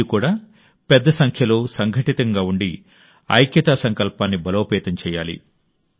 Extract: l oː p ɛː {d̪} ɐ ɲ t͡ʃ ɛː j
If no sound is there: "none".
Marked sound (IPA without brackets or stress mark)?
t̪